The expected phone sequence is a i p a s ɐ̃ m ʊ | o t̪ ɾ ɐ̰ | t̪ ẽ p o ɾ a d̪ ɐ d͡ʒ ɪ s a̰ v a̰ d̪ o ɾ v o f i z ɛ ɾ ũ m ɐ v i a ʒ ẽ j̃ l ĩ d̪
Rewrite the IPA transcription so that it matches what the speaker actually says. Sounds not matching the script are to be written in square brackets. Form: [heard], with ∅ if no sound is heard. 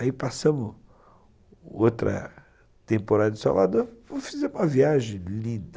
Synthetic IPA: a i p a s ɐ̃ m ʊ | o t̪ ɾ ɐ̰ | t̪ ẽ p o ɾ a d̪ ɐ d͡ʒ ɪ s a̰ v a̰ d̪ o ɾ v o f i z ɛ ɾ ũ m ɐ v i a ʒ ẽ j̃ l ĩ d̪